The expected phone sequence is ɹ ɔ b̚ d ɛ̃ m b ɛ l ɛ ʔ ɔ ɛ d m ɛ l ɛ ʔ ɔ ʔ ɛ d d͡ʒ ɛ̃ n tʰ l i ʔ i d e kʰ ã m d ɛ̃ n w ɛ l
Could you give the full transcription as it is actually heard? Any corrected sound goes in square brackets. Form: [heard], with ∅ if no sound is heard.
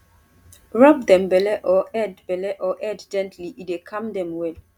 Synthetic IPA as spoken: ɹ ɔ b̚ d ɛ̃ m b ɛ l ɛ ʔ ɔ ɛ d [b] ɛ l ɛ ʔ ɔ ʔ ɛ d d͡ʒ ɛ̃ n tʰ l i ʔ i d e kʰ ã m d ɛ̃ [m] w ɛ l